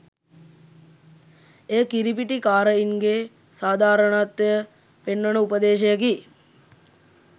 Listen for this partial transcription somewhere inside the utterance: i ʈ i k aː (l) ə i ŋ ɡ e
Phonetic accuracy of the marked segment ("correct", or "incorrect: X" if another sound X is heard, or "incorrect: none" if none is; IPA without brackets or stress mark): incorrect: ɾ